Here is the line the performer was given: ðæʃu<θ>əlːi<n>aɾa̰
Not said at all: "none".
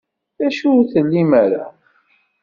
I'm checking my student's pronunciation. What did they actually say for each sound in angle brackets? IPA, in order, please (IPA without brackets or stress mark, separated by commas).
θ, m